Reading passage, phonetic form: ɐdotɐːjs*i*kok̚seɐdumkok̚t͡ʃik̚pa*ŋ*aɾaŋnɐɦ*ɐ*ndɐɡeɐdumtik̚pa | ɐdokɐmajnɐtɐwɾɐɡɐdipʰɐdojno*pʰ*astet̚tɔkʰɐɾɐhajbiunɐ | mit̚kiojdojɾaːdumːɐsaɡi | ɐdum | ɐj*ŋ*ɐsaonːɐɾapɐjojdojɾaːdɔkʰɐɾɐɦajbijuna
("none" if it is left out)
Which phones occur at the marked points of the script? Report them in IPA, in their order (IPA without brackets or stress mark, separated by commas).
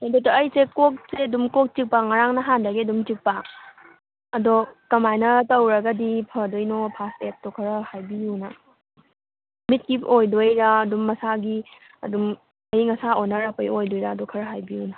e, ŋ, a, pʰ, ŋ